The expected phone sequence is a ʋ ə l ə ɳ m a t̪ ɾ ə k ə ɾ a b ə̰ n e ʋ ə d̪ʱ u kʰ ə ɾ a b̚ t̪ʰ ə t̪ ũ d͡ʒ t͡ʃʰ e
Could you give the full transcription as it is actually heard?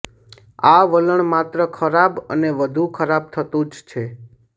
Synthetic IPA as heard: a ʋ ə l ə ɳ m a t̪ ɾ ə kʰ ə ɾ a b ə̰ n e ʋ ə d̪ʱ u kʰ ə ɾ a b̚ t̪ʰ ə t̪ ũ d͡ʒ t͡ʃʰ e